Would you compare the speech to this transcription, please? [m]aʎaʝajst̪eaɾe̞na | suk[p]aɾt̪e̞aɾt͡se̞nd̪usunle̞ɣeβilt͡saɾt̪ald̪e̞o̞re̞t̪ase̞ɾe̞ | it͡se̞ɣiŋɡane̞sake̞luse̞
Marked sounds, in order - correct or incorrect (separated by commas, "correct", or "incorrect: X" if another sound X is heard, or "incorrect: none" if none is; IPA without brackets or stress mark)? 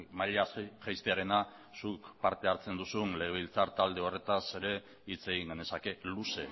correct, correct